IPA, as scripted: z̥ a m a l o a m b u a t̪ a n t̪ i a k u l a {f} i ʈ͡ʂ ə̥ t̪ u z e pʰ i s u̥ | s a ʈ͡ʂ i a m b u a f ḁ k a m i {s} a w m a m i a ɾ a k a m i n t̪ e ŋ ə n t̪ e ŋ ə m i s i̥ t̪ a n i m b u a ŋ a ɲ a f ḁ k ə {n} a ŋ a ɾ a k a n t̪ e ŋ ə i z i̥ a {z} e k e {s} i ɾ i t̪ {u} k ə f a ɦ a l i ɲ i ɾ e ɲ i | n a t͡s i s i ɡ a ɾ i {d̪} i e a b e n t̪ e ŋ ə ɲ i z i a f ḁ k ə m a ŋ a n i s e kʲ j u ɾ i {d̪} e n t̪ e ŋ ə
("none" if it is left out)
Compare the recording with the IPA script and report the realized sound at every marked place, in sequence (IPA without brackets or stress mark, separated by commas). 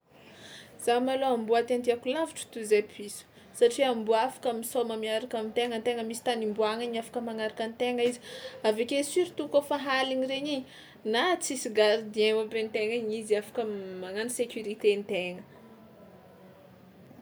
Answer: v, s, m, v, s, u, d̪, t̪